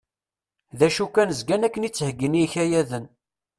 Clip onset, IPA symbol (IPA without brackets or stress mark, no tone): ð